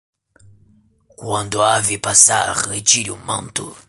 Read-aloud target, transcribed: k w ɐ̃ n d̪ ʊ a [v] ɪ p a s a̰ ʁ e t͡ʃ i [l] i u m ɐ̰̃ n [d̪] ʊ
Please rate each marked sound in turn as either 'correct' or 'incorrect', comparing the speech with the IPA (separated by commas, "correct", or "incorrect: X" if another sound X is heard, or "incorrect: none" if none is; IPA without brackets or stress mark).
correct, incorrect: ɾ, incorrect: t̪